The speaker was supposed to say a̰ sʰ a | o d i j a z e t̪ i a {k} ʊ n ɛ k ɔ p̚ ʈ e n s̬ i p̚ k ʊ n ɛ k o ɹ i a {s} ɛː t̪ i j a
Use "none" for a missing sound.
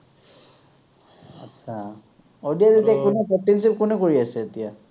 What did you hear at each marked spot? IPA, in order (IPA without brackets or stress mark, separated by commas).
k, s